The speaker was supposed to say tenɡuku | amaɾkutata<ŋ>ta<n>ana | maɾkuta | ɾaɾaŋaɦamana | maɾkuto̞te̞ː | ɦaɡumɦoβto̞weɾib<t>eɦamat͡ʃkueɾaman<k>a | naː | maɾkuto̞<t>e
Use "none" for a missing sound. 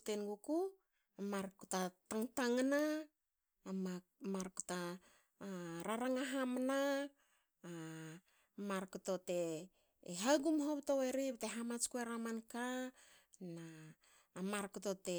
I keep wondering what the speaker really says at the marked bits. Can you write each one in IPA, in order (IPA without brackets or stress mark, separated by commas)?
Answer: ŋ, ŋ, t, k, t